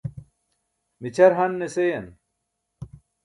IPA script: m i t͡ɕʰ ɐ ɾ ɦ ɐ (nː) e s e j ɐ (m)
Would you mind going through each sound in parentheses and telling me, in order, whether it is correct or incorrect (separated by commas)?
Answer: correct, incorrect